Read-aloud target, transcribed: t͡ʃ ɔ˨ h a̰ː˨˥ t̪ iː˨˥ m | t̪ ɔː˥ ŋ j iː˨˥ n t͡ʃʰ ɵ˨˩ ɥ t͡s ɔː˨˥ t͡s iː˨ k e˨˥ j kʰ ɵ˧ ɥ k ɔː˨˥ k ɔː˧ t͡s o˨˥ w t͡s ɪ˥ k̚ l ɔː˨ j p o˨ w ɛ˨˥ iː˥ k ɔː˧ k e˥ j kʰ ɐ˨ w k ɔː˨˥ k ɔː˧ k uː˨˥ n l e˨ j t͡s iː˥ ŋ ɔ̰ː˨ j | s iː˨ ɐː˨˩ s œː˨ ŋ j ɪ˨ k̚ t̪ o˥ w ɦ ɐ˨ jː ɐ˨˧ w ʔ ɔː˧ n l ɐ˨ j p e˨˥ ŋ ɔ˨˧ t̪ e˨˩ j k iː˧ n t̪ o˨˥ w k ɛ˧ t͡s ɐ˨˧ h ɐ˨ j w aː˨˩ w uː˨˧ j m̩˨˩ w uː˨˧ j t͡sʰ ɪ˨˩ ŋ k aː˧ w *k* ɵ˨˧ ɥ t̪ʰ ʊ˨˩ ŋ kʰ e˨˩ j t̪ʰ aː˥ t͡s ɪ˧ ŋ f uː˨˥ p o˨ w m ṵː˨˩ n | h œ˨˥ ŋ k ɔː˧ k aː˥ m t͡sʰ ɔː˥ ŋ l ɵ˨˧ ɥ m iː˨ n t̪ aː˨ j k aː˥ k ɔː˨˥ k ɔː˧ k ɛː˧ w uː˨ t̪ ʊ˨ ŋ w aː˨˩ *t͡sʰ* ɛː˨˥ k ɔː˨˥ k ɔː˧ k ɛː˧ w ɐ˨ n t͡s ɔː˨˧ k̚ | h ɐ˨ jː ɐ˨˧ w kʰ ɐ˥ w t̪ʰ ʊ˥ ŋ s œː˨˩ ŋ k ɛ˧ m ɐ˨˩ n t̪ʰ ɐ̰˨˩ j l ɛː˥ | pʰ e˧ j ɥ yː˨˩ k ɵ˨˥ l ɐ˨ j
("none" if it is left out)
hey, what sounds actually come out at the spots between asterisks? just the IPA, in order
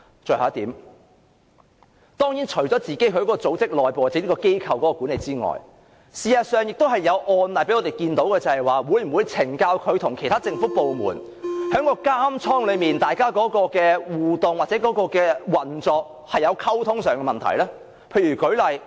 kʰ, t͡s

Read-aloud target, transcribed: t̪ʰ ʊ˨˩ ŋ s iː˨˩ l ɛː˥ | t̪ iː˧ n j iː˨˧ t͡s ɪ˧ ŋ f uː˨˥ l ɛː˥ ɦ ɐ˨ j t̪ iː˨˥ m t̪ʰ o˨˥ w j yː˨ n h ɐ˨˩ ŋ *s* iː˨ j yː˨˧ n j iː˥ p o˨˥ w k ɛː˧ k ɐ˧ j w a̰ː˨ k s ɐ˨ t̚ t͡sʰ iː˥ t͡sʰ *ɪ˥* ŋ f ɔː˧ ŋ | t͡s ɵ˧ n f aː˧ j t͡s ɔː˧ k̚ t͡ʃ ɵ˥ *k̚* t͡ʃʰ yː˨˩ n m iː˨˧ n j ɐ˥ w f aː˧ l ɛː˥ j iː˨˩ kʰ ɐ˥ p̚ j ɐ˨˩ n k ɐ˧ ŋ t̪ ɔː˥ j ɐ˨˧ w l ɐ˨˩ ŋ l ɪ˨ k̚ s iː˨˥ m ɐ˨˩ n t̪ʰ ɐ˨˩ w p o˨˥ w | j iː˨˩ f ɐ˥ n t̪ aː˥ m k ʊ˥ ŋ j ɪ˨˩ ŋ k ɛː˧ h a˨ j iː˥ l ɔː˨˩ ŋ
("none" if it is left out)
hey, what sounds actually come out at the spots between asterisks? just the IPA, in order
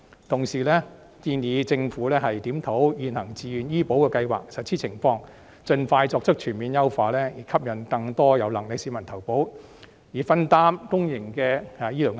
t͡s, ɪ˨˩, k̚

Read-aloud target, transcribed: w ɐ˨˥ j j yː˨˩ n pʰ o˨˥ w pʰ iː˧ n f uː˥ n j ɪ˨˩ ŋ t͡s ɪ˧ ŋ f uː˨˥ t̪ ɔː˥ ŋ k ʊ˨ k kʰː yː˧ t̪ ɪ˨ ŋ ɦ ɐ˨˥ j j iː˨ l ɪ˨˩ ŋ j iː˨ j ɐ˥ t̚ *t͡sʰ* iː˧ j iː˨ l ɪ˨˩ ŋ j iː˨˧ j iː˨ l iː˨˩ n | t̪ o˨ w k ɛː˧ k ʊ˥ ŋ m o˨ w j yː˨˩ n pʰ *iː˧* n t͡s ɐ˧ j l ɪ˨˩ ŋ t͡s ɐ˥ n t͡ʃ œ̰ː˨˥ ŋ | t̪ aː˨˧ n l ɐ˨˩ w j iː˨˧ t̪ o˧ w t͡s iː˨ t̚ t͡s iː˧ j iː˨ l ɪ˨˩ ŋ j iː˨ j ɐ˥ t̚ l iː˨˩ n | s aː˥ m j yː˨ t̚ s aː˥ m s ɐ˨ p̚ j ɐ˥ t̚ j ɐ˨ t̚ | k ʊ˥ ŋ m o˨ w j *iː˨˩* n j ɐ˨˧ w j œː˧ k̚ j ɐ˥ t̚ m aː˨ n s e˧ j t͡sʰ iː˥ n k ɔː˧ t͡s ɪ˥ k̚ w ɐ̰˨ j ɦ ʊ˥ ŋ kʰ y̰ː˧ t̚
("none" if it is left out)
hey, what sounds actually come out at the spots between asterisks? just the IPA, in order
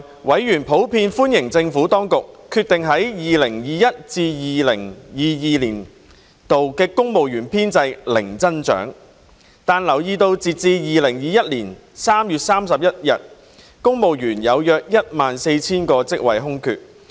t͡s, iː˥, yː˨˩

